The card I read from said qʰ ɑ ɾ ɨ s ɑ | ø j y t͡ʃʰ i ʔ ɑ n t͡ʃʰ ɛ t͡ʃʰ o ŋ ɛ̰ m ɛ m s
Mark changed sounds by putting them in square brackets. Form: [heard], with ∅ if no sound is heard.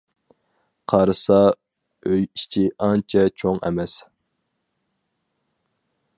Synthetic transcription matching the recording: qʰ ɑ ɾ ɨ s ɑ | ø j [i] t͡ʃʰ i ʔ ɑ n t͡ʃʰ ɛ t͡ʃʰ o ŋ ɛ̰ m ɛ [∅] s